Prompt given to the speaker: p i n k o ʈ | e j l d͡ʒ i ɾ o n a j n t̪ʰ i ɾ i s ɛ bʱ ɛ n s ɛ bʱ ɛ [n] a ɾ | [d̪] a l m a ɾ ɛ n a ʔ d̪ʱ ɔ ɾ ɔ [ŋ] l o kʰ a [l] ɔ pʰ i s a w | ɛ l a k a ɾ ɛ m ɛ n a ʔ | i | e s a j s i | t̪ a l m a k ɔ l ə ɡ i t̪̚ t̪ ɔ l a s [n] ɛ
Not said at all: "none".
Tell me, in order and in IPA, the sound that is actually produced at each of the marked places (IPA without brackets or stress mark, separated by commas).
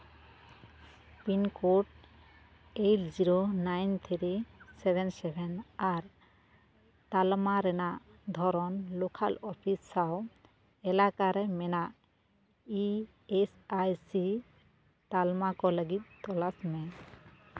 n, t̪, n, l, m